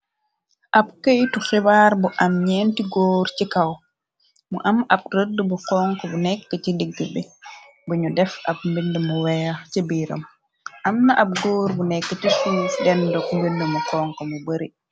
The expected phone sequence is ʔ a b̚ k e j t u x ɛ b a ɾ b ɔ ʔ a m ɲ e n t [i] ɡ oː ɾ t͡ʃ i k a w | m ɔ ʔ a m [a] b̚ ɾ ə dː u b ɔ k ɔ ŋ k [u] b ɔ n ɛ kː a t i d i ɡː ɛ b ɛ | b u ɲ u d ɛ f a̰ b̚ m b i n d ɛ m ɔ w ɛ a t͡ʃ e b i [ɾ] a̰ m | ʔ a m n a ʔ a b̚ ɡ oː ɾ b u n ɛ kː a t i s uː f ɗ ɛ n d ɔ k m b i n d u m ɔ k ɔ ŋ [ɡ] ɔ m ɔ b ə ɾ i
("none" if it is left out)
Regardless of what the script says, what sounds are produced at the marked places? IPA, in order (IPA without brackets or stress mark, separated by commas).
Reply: i, a, ɔ, ɾ, k